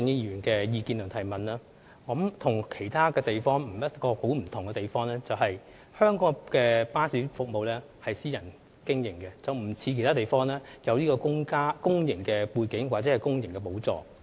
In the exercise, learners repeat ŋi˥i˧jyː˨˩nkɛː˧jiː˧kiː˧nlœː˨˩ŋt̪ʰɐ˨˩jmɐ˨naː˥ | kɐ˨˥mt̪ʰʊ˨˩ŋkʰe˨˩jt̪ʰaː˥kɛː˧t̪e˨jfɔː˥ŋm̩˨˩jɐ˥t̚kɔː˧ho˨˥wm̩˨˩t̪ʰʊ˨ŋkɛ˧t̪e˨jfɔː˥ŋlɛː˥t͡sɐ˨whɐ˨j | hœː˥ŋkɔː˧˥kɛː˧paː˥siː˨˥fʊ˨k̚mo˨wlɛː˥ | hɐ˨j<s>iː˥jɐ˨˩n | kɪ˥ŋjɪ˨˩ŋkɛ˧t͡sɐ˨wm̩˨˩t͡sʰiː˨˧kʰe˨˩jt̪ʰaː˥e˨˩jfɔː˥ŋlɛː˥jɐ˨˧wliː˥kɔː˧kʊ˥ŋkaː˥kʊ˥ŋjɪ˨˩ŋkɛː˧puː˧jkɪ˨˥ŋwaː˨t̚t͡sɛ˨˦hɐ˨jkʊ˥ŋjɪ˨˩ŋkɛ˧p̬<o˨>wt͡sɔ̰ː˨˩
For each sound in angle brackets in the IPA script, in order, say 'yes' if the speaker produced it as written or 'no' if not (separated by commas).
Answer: yes, no